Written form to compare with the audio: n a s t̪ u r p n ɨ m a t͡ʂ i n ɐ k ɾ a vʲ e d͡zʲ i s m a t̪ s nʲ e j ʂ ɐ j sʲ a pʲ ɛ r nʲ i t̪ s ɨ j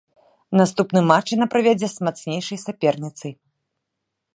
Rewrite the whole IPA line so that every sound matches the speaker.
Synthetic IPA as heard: n a s t̪ u p n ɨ m a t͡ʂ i n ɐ p ɾ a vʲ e d͡zʲ ɛ s m a t̪ s nʲ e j ʂ ɐ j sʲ a pʲ ɛ r nʲ i t̪ s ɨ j